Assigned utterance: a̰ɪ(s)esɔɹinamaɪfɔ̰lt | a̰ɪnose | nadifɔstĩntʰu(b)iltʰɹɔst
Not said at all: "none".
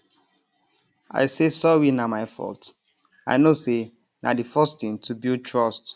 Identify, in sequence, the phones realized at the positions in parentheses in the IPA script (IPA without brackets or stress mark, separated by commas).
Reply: s, b